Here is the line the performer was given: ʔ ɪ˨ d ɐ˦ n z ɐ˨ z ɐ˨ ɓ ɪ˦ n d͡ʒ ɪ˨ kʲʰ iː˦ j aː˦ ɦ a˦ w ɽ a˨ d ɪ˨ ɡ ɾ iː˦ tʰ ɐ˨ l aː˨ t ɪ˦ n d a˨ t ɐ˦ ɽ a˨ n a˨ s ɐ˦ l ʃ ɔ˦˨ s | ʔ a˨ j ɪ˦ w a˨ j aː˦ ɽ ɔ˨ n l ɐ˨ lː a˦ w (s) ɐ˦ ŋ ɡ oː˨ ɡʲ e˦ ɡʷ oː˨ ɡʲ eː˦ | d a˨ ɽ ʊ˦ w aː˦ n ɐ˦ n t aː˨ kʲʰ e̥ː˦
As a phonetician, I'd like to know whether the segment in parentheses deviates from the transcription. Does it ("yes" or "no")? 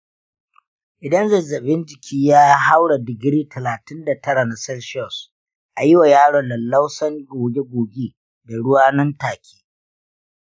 no